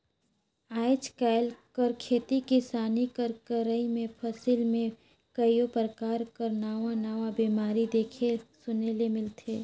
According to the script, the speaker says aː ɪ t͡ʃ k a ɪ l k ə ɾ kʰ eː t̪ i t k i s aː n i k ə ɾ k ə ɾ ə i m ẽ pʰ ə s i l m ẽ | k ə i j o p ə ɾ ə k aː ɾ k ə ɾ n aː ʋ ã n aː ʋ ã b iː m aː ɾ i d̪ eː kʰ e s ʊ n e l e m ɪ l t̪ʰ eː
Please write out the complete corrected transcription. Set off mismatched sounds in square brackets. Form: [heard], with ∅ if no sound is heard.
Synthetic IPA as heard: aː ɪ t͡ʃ k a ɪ l k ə ɾ kʰ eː t̪ i t k i s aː n i k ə ɾ k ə ɾ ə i m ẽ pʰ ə s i l m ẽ | k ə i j o p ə ɾ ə k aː ɾ k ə ɾ n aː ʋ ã n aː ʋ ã b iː m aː ɾ i d̪ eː kʰ e s ʊ n e l e m ɪ l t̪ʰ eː

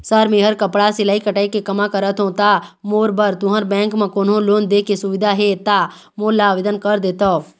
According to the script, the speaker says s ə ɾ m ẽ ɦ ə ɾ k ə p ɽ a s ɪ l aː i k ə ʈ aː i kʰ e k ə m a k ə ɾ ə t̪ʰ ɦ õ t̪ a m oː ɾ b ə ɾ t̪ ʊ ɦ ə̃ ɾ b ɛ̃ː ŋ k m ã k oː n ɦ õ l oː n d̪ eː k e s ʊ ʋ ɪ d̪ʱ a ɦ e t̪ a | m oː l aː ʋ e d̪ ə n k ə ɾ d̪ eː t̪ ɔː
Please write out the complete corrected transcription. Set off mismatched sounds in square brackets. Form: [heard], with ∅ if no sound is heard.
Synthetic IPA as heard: s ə ɾ m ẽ ɦ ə ɾ k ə p ɽ a s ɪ l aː i k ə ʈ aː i [k] e k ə m a k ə ɾ ə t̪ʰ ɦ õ t̪ a m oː ɾ b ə ɾ t̪ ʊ ɦ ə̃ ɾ b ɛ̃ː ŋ k m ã k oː n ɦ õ l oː n d̪ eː k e s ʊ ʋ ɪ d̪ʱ a ɦ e t̪ a | m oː l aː ʋ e d̪ ə n k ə ɾ d̪ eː t̪ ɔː

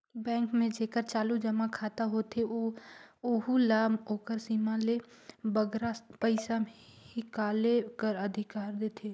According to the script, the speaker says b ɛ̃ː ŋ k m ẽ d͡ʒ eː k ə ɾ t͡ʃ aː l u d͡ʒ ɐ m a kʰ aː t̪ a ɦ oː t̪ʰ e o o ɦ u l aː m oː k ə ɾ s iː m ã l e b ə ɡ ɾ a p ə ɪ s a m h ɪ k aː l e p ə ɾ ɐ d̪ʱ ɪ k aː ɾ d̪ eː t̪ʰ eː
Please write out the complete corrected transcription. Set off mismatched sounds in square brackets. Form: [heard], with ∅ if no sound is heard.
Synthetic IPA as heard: b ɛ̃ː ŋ k m ẽ d͡ʒ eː k ə ɾ t͡ʃ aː l u d͡ʒ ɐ m a kʰ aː t̪ a ɦ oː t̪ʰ e o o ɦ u l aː m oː k ə ɾ s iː m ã l e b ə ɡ ɾ a p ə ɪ s a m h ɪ k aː l e [k] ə ɾ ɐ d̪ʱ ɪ k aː ɾ d̪ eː t̪ʰ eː

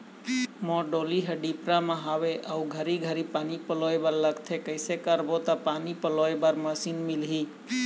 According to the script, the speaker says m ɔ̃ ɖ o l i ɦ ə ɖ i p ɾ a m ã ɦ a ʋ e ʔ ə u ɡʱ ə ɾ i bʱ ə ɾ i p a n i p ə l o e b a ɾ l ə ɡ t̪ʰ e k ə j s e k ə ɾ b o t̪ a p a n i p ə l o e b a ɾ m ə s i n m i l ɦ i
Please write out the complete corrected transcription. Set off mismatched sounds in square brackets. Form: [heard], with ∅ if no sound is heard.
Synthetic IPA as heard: m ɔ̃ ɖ o l i ɦ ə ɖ i p ɾ a m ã ɦ a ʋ e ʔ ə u ɡʱ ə ɾ i [ɡʱ] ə ɾ i p a n i p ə l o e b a ɾ l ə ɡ t̪ʰ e k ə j s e k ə ɾ b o t̪ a p a n i p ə l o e b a ɾ m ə s i n m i l ɦ i

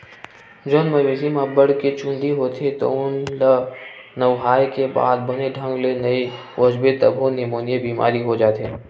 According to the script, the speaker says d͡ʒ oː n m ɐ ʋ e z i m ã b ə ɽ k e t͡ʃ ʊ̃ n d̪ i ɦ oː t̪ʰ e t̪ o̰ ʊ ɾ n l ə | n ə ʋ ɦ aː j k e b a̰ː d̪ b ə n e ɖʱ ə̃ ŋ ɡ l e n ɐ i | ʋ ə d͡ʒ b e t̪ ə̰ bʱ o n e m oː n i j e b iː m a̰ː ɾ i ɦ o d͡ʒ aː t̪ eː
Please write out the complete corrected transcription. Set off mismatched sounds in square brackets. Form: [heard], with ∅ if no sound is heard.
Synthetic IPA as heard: d͡ʒ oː n m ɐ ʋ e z i m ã b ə ɽ k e t͡ʃ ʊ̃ n d̪ i ɦ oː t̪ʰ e t̪ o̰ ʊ [∅] n l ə | n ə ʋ ɦ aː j k e b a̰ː d̪ b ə n e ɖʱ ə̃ ŋ ɡ l e n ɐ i | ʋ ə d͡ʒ b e t̪ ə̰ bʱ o n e m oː n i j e b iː m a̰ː ɾ i ɦ o d͡ʒ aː t̪ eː

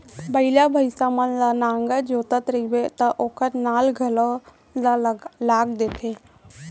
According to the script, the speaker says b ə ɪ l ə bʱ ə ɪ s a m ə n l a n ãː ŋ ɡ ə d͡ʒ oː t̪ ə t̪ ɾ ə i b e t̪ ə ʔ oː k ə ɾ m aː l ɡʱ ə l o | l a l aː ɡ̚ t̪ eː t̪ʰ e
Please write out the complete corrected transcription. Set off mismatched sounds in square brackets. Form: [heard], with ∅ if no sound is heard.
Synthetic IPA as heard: b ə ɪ l [a] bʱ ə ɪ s a m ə n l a n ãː ŋ ɡ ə d͡ʒ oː t̪ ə t̪ ɾ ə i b e t̪ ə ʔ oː k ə ɾ [n] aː l ɡʱ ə l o | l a l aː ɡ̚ [d̪] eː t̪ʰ e

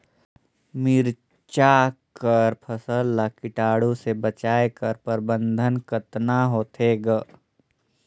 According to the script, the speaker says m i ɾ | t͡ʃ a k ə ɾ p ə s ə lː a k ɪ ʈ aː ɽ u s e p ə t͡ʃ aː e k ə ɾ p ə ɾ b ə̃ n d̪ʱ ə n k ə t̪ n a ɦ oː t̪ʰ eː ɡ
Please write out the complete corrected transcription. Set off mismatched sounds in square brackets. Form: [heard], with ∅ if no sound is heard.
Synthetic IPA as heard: m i ɾ | t͡ʃ a k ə ɾ [pʰ] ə s ə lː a k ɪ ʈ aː ɽ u s e [b] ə t͡ʃ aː e k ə ɾ p ə ɾ b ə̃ n d̪ʱ ə n k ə t̪ n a ɦ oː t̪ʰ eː ɡ

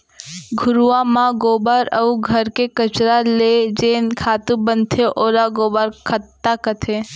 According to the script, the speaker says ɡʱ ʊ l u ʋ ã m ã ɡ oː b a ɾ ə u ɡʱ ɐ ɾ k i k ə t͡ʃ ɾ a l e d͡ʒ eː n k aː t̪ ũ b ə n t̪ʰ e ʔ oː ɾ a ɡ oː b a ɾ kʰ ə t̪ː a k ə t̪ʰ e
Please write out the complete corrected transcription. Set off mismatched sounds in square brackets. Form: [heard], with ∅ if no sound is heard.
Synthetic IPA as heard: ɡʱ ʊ [ɾ] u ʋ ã m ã ɡ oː b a ɾ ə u ɡʱ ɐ ɾ k [e] k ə t͡ʃ ɾ a l e d͡ʒ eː n [kʰ] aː t̪ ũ b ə n t̪ʰ e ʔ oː ɾ a ɡ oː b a ɾ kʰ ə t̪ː a k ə t̪ʰ e

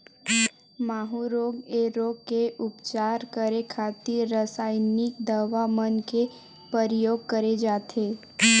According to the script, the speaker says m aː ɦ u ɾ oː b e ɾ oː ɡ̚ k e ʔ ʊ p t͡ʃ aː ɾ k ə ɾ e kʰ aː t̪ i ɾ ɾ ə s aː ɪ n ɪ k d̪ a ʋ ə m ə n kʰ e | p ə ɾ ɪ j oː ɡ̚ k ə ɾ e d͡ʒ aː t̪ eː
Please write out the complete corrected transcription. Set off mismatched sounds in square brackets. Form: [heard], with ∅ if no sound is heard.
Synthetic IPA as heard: m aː ɦ u ɾ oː [ɡ] e ɾ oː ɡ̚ k e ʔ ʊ p t͡ʃ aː ɾ k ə ɾ e kʰ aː t̪ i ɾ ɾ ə s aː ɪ n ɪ k d̪ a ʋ [a] m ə n [k] e | p ə ɾ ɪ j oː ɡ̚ k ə ɾ e d͡ʒ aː t̪ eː

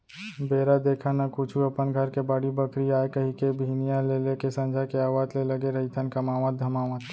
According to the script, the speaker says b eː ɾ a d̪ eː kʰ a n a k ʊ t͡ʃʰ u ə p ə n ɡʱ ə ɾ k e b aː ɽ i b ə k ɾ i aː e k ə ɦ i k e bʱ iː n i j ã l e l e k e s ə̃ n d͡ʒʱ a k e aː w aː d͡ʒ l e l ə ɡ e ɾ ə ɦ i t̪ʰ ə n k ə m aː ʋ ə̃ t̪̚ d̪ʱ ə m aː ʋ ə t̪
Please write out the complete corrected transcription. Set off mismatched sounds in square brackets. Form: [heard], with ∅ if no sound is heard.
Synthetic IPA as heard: b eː ɾ a d̪ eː kʰ a n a k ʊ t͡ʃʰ u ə p ə n ɡʱ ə ɾ k e b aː ɽ i b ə k ɾ i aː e k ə ɦ i k e bʱ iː n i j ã l e l e k e s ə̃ n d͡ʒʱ a k e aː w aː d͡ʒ l e l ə ɡ e ɾ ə ɦ i t̪ʰ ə n k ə m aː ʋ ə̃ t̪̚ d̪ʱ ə m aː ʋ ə t̪

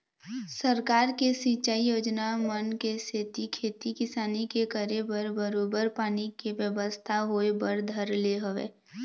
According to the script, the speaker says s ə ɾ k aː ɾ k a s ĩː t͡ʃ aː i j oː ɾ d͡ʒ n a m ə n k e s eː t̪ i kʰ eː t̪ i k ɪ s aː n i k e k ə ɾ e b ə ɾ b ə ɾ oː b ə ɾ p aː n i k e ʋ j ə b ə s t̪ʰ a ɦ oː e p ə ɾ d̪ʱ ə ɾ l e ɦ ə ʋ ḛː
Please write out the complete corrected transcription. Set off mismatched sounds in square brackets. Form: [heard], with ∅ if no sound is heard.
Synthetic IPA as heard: s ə ɾ k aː ɾ k [e] s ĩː t͡ʃ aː i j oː [∅] d͡ʒ n a m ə n k e s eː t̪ i kʰ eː t̪ i k ɪ s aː n i k e k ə ɾ e b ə ɾ b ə ɾ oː b ə ɾ p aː n i k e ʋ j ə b ə s t̪ʰ a ɦ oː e [b] ə ɾ d̪ʱ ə ɾ l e ɦ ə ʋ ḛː

